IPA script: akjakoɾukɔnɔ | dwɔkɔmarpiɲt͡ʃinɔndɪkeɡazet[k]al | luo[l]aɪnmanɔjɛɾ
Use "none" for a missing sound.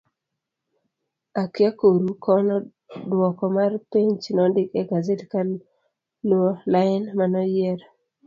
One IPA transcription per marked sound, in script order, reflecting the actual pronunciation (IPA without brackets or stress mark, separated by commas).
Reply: k, l